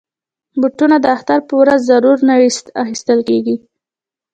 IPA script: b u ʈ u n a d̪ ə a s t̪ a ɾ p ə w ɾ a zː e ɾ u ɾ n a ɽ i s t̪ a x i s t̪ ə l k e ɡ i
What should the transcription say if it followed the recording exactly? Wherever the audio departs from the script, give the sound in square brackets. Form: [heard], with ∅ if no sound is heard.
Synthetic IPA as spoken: b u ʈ u n a d̪ ə a [x] t̪ a ɾ p ə w ɾ a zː [a] ɾ u ɾ n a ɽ i s t̪ a x i s t̪ ə l k e ɡ i